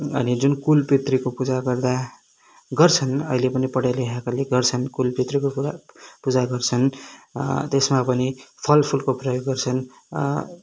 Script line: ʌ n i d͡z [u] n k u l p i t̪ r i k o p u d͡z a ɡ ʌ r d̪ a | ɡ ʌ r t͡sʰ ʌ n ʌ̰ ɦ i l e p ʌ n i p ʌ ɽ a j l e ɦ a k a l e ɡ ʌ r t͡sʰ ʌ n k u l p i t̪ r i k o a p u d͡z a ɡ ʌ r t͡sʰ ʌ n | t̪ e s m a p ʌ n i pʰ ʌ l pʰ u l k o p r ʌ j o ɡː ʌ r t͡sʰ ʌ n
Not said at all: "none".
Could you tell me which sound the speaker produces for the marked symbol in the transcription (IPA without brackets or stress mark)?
u